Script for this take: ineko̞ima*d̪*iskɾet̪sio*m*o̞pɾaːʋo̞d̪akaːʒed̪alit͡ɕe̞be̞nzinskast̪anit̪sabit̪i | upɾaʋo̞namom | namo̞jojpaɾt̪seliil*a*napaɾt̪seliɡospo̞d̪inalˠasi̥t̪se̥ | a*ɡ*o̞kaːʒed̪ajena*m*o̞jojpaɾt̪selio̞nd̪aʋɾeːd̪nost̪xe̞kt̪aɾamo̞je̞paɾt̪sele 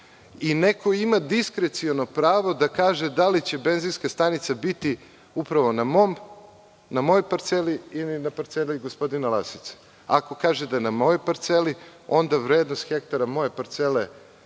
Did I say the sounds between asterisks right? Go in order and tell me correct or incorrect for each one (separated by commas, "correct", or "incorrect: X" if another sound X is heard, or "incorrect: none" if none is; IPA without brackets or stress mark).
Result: correct, incorrect: n, incorrect: i, incorrect: k, correct